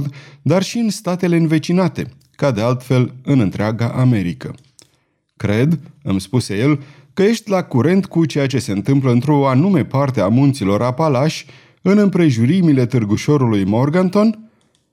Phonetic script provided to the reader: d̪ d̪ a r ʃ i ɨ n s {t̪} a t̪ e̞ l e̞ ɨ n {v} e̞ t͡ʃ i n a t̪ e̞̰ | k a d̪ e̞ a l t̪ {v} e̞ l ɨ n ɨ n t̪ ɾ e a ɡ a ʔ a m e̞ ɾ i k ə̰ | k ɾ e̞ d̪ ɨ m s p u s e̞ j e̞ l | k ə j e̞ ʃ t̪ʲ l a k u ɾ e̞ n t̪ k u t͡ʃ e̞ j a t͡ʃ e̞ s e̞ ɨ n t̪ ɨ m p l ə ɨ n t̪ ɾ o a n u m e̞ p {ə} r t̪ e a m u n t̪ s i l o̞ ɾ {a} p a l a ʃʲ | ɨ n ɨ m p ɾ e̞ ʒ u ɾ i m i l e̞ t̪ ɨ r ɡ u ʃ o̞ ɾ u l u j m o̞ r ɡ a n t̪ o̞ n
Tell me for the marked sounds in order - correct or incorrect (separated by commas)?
correct, correct, incorrect, incorrect, correct